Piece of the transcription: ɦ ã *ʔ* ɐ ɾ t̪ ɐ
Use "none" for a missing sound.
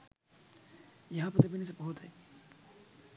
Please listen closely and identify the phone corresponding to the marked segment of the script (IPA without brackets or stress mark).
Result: p